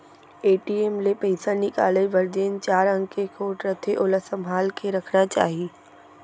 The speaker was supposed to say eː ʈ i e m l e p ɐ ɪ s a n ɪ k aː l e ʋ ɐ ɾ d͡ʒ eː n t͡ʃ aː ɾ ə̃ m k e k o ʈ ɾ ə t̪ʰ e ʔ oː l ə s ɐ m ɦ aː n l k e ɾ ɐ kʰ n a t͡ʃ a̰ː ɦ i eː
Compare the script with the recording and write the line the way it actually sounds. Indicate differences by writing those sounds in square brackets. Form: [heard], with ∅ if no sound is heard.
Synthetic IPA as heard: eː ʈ i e m l e p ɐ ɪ s a n ɪ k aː l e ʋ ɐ ɾ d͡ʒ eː n t͡ʃ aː ɾ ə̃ [ŋ] k e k o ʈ ɾ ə t̪ʰ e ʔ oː l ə s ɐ m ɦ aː [∅] l k e ɾ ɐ kʰ n a t͡ʃ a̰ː ɦ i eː